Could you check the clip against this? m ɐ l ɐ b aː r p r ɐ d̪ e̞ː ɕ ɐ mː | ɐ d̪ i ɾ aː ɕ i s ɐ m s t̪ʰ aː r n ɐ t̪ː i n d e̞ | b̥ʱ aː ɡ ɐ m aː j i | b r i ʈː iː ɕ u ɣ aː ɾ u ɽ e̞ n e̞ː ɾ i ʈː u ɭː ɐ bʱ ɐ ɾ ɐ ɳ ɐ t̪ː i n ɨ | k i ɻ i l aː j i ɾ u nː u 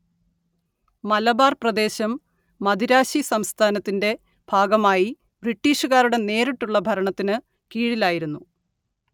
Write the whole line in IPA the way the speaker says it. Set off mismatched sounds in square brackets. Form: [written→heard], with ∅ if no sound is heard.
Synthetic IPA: m ɐ l ɐ b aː r p r ɐ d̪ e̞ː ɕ ɐ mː | ɐ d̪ i ɾ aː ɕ i s ɐ m s t̪ʰ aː [r→∅] n ɐ t̪ː i n d e̞ | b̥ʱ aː ɡ ɐ m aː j i | b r i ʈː iː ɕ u ɣ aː ɾ u ɽ e̞ n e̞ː ɾ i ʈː u ɭː ɐ bʱ ɐ ɾ ɐ ɳ ɐ t̪ː i n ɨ | k [i→iː] ɻ i l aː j i ɾ u nː u